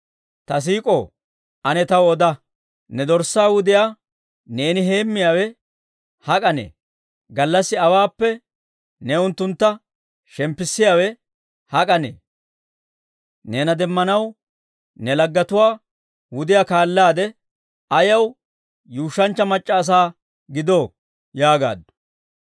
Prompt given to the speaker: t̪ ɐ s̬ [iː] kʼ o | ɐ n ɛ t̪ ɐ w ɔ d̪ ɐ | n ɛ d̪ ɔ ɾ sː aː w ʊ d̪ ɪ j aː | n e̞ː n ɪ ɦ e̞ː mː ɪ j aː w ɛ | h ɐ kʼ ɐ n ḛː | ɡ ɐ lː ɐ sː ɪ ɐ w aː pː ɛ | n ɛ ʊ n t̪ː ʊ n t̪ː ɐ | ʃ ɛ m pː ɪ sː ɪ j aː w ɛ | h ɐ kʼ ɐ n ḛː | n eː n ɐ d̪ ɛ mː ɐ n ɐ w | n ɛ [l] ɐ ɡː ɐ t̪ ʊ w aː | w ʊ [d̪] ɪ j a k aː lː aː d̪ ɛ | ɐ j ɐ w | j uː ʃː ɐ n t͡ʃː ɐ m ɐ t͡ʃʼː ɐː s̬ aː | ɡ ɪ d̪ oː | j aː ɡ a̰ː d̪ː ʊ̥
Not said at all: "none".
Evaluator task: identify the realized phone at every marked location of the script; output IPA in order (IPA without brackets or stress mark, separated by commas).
iː, l, d̪